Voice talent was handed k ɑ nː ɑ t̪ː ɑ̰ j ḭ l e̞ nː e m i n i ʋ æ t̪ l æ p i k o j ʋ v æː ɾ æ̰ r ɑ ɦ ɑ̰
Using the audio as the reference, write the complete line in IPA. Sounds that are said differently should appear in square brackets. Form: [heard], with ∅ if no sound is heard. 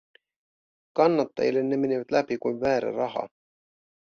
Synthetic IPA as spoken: k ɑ nː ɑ t̪ː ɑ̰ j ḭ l e̞ nː e m [e] n i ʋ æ t̪ l æ p i k [u] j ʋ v æː ɾ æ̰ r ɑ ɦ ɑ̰

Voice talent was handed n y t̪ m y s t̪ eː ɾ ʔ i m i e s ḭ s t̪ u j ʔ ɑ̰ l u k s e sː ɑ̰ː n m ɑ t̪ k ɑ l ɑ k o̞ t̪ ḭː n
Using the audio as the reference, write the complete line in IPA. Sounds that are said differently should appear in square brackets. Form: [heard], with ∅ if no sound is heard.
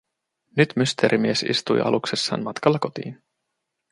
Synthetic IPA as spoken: n y t̪ m y s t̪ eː ɾ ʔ i m i e s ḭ s t̪ u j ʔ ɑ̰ l u k s e sː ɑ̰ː n m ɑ t̪ k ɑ [lː] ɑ k o̞ t̪ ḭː n

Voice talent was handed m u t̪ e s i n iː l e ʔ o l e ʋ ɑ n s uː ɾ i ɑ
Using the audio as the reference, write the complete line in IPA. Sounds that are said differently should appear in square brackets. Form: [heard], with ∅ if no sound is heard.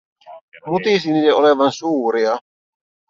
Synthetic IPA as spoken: m u t̪ [i] s i n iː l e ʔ o l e ʋ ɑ n s uː ɾ i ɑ

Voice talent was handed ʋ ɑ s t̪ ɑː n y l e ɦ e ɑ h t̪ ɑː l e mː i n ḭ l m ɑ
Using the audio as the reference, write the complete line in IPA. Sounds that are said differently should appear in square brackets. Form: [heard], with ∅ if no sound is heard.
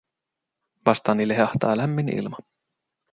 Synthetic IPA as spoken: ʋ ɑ s t̪ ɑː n [i] l e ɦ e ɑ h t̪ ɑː l [æ] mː i n ḭ l m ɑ

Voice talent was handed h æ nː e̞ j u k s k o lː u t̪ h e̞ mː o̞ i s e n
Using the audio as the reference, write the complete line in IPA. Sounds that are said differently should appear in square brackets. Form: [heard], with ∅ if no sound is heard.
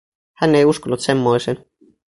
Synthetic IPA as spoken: h æ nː e̞ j u [∅] s k o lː u t̪ [s] e̞ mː o̞ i s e n

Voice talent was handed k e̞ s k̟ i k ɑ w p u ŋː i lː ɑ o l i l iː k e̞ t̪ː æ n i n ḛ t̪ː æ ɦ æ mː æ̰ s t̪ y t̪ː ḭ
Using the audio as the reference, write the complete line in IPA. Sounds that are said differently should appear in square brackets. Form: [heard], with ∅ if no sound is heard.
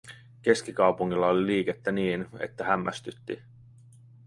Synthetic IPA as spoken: k e̞ s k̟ i k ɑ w p u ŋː i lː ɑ o l i l iː k e̞ t̪ː æ n [iː] n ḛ t̪ː æ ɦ æ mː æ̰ s t̪ y t̪ː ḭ

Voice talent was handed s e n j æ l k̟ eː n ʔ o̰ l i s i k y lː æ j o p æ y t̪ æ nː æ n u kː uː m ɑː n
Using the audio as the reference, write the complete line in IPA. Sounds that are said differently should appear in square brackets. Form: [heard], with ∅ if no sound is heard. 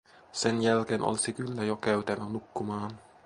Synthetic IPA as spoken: s e n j æ l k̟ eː n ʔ o̰ l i s i k y lː æ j o [k] æ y t̪ æ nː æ n u kː [u] m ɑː n

